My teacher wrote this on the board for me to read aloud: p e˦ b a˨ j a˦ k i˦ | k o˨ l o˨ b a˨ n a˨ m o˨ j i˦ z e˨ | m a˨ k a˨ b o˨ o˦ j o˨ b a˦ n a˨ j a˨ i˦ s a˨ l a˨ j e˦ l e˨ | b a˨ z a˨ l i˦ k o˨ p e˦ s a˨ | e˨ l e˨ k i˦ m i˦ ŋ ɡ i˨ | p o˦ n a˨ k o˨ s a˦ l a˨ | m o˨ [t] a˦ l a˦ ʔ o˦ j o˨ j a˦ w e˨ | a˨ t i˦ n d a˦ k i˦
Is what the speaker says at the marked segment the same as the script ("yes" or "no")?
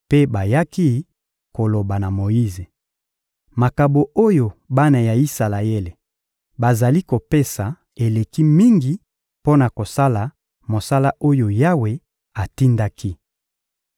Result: no